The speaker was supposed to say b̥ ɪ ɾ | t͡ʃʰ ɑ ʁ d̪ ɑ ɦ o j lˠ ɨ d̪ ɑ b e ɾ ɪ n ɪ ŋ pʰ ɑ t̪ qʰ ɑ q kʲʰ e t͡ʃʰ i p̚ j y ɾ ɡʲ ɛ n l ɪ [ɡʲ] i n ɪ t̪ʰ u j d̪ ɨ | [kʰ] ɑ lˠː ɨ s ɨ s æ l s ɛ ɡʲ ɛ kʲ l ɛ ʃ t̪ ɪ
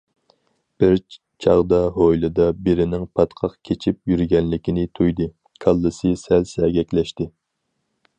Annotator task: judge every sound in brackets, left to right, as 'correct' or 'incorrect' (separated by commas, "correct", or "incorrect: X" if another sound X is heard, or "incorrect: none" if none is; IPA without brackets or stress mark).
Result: incorrect: kʲ, correct